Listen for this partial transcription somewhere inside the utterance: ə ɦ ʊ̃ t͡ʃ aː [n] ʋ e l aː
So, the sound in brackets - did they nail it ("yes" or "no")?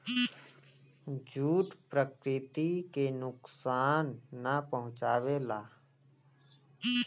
no